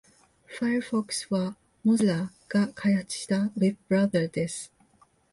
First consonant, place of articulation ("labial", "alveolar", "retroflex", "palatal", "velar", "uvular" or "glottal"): labial